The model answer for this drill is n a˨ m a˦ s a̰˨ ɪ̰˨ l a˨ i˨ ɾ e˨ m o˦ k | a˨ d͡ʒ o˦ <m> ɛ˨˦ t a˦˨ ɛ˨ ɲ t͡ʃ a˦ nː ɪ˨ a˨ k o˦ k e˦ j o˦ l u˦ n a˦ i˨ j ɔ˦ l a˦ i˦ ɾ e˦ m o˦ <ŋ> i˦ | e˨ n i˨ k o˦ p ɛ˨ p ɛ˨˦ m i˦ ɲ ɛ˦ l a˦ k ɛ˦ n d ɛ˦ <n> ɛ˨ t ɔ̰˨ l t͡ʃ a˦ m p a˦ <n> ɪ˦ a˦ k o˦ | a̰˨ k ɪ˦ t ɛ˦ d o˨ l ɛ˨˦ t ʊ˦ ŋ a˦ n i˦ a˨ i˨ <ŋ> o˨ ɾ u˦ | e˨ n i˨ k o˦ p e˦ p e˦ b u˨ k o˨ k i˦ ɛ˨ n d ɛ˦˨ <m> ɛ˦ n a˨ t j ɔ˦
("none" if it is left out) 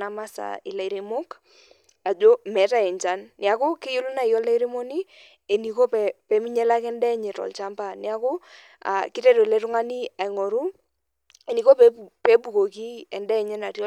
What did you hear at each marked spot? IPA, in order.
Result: m, n, ɲ, n, ŋ, ɲ

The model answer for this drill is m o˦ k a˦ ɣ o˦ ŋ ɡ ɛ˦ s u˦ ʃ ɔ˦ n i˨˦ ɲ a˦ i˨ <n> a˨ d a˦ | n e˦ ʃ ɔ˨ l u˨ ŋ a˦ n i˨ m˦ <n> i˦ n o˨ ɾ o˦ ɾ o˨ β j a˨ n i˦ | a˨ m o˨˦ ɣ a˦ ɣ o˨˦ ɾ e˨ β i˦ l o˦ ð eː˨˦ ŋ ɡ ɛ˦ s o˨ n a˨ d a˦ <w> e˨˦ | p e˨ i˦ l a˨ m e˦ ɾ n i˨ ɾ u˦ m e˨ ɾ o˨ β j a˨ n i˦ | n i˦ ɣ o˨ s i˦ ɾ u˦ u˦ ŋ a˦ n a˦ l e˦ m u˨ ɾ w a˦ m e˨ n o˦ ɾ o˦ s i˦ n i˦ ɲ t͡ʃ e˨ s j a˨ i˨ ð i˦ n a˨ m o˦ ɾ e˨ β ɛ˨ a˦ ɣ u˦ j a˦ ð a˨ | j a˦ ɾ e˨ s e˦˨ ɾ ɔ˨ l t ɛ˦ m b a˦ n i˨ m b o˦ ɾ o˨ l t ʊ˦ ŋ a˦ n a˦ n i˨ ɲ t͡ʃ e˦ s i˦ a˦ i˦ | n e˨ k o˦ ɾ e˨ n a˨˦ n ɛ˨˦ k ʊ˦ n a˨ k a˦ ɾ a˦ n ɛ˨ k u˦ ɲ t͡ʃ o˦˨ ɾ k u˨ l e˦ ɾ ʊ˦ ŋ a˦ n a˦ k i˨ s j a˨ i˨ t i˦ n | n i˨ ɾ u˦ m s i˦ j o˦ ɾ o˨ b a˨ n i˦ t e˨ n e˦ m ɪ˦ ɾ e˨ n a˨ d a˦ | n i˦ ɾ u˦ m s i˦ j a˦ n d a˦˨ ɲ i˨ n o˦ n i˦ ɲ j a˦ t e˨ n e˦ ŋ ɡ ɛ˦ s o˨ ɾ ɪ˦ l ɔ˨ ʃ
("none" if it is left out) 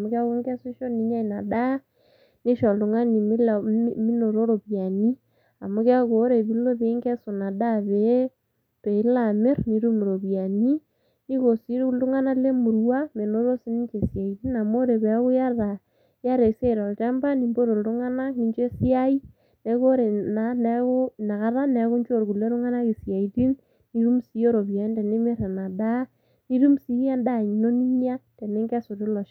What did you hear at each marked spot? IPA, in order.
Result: n, m, β

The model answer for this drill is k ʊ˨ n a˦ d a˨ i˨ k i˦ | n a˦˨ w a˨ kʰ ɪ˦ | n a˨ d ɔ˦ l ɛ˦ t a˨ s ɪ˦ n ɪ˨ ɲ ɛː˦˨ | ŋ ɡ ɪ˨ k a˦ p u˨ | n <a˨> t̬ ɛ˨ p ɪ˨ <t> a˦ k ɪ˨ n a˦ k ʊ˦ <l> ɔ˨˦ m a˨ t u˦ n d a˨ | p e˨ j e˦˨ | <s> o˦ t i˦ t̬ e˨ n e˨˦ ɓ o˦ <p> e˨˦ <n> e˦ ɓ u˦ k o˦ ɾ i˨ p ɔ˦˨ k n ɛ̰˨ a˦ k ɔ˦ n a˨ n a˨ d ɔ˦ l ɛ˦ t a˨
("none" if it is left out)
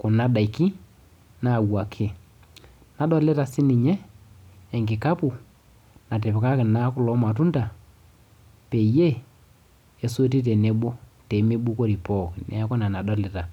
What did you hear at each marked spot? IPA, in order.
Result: a˨, k, l, s, t, m

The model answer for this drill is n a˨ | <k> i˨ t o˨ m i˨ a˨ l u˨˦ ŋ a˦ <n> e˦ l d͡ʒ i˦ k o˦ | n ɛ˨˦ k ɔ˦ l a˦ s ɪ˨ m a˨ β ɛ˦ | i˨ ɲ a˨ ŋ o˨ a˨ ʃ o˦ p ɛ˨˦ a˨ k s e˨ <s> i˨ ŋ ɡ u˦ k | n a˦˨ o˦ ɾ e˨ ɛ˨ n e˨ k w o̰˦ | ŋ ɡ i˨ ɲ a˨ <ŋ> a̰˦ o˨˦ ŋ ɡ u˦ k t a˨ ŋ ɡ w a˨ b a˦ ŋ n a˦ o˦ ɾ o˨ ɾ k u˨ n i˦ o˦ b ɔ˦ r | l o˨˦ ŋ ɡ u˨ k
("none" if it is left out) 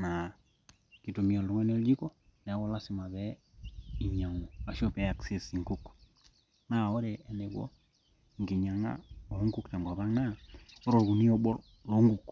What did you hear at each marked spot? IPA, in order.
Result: k, n, s, ŋ

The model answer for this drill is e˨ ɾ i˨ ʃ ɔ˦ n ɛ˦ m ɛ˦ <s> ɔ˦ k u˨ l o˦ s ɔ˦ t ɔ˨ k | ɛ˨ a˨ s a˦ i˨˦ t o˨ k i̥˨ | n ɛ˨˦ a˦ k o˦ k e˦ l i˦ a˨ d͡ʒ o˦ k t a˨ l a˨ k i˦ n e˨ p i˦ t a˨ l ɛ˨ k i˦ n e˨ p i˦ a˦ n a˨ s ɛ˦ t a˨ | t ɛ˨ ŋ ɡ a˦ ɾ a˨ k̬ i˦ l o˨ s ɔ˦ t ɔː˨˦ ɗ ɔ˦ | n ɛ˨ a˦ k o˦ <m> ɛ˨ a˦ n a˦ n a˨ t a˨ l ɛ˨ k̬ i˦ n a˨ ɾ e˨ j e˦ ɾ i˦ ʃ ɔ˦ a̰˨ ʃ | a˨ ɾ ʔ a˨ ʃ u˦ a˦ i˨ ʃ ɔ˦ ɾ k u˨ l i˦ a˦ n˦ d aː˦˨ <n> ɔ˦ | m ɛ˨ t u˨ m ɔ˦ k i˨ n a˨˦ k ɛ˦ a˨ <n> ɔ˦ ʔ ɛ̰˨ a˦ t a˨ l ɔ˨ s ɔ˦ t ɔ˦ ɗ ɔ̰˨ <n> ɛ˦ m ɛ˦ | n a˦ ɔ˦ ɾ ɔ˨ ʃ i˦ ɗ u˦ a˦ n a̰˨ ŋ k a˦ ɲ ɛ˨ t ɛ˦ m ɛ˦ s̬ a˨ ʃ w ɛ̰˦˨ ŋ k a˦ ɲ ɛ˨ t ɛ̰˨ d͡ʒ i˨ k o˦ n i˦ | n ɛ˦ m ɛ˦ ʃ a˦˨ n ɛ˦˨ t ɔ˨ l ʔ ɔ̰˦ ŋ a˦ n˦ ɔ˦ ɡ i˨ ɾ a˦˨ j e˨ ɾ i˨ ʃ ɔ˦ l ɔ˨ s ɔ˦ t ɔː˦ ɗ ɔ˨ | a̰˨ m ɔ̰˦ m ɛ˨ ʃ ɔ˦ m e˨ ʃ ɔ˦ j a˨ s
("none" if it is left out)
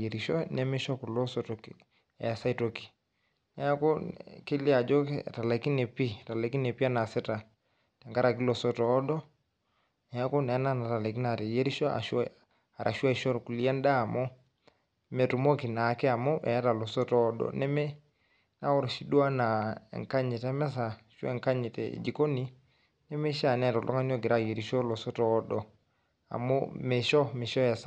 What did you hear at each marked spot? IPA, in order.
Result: ʃ, n, m, m, n

